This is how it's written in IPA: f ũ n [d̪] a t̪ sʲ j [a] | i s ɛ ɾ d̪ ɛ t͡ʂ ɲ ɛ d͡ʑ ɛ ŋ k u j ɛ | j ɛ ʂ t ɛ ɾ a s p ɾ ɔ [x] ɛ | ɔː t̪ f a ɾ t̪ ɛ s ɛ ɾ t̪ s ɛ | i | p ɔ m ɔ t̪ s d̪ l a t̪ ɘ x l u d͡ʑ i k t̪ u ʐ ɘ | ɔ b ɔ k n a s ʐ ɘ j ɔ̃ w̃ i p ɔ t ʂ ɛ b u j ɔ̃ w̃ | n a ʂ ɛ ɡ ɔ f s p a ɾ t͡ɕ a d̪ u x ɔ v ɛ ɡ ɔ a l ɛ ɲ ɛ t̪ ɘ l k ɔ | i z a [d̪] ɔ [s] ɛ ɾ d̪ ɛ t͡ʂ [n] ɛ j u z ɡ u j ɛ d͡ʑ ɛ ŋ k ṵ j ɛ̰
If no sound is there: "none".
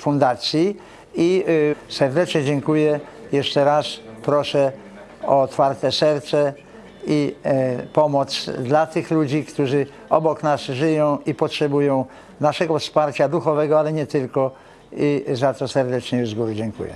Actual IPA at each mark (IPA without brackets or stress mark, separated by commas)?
d̪, i, ʂ, t̪, s, ɲ